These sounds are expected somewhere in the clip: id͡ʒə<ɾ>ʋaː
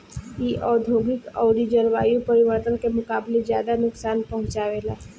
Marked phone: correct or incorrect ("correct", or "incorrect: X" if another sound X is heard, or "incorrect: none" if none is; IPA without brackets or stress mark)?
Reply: correct